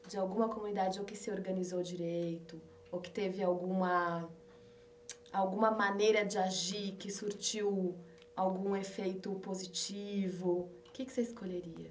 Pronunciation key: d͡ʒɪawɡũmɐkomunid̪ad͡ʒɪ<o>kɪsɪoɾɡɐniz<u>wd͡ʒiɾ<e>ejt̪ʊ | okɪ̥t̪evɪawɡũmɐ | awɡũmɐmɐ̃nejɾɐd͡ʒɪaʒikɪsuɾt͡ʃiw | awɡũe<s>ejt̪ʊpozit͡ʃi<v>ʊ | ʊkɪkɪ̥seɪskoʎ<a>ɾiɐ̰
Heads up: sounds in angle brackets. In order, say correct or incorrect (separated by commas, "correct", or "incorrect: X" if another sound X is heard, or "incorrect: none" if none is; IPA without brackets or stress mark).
correct, incorrect: o, correct, incorrect: f, correct, incorrect: e